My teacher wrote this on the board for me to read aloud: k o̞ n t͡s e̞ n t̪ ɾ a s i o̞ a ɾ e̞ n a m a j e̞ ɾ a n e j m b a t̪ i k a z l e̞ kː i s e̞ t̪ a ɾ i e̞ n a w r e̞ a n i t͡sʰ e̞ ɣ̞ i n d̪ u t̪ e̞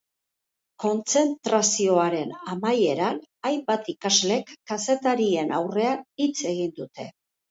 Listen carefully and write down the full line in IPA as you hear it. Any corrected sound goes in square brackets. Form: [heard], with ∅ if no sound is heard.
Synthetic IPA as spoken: k o̞ n t͡s e̞ n t̪ ɾ a s i o̞ a ɾ e̞ n a m a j e̞ ɾ a n [a] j m b a t̪ i k a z l e̞ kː [a] s e̞ t̪ a ɾ i e̞ n a w r e̞ a n i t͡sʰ e̞ ɣ̞ i n d̪ u t̪ e̞